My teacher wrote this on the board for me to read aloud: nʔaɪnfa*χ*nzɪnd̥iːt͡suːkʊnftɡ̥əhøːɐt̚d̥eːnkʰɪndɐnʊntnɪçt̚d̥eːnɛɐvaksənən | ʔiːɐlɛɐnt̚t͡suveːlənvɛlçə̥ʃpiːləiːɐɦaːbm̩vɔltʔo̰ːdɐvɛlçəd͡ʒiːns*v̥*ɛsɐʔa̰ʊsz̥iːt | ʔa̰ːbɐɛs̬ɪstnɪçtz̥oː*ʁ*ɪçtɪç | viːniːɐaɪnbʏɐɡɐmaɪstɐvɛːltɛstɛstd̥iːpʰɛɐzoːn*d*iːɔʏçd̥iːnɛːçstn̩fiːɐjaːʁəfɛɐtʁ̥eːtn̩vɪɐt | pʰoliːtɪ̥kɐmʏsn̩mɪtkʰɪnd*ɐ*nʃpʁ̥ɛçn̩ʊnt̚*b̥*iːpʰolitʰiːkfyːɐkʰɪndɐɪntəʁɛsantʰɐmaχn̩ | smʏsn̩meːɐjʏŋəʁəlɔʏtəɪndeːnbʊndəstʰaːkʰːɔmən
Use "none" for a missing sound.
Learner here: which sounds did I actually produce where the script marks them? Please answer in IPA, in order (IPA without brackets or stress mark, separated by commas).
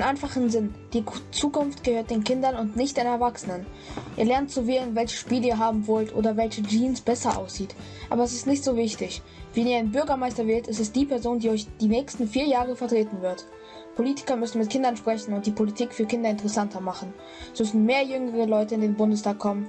χ, b̥, v, d, ɐ, d̥